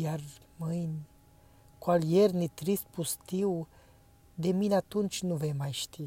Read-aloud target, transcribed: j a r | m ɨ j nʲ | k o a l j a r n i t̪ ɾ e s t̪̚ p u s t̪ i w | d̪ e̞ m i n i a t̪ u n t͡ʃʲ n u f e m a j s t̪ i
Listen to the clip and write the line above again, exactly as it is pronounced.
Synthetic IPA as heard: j a r | m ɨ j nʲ | k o a l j e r n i t̪ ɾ i s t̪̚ p u s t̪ i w | d̪ e̞ m i n e a t̪ u n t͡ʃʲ n u v e m a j ʃ t̪ i